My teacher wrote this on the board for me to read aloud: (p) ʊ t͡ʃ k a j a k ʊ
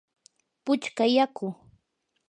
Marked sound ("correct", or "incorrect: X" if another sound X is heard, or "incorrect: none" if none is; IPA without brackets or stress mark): correct